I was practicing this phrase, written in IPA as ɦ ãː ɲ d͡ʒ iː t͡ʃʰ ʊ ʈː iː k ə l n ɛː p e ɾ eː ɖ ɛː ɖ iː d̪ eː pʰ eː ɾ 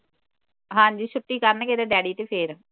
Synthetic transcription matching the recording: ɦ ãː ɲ d͡ʒ iː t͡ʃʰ ʊ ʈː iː k ə ɾ n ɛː k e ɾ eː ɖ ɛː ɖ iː t̪ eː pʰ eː ɾ